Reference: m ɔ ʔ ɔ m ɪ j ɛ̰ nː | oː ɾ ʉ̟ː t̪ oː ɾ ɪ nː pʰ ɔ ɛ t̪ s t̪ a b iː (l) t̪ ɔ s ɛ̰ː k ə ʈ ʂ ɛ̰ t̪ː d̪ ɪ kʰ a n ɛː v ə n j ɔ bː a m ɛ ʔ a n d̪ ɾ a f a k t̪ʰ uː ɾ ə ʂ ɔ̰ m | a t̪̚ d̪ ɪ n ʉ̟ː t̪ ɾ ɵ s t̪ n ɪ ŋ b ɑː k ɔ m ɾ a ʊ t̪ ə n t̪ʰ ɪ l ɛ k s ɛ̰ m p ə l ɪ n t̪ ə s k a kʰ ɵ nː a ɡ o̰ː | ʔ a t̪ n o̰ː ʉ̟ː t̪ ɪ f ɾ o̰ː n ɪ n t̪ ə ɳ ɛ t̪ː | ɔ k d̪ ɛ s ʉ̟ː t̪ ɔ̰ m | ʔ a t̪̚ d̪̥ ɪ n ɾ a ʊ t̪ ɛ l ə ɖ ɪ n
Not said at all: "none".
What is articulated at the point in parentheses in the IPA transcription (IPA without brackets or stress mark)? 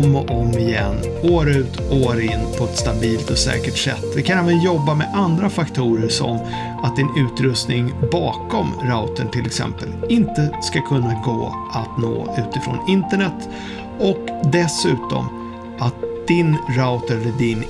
l